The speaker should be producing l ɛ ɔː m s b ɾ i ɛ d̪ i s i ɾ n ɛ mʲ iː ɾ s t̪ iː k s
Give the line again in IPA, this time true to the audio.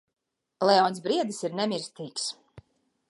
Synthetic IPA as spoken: l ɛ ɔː n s b ɾ i ɛ d̪ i s i ɾ n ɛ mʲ i ɾ s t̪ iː k s